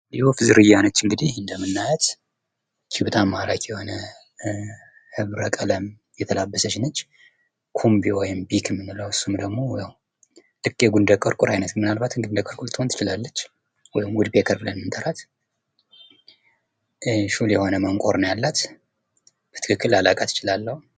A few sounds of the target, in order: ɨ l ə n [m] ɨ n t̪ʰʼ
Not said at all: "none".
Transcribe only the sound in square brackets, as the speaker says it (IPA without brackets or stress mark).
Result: m